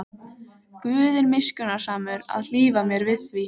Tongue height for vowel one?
high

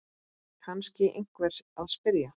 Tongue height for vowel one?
low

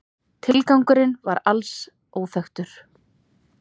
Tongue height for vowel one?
high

